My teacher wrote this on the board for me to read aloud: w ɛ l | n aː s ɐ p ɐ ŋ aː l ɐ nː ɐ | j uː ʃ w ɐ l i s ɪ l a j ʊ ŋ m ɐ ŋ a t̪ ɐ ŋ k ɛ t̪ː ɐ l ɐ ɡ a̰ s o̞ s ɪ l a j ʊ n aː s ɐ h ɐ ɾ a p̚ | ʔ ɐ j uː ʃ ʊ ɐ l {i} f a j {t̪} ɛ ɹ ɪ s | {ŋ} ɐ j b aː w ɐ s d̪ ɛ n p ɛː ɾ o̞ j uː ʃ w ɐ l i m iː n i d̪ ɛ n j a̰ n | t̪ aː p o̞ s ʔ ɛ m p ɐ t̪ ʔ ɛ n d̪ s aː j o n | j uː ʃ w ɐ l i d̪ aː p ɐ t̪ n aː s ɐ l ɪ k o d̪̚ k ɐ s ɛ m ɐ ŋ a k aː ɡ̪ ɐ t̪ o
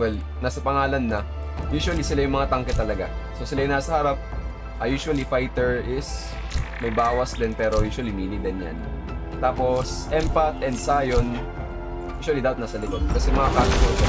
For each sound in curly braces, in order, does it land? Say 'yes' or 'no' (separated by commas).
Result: yes, yes, no